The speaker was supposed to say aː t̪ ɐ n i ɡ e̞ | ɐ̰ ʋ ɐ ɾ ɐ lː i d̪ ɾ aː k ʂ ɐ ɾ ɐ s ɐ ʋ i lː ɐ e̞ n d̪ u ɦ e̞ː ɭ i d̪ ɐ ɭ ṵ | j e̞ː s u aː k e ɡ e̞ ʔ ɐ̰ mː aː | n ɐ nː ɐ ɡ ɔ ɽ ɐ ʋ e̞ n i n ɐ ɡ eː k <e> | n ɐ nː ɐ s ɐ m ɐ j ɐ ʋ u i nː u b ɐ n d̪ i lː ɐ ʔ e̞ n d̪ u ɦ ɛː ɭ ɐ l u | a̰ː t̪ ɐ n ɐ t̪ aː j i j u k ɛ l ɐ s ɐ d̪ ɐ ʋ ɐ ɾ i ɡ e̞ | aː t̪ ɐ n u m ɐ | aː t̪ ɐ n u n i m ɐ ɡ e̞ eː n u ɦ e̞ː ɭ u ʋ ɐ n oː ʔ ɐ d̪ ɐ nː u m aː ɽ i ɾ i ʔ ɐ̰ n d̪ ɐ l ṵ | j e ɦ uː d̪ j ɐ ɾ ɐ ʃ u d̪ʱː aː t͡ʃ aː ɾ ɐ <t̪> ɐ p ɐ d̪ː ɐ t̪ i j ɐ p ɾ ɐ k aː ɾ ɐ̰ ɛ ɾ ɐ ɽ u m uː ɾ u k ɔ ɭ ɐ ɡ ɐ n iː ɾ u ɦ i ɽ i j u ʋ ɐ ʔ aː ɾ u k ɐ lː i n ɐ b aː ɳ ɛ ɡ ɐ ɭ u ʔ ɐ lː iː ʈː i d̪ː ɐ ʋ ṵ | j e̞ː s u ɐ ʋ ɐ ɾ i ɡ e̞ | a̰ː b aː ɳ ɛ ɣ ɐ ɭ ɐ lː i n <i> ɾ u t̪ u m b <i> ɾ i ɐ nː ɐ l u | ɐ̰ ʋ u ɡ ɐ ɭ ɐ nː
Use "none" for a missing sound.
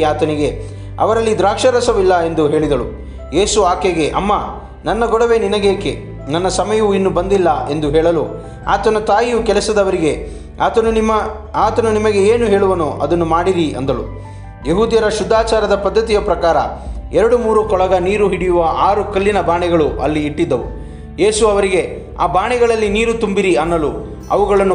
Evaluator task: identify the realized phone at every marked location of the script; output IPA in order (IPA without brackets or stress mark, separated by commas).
e, d̪, iː, i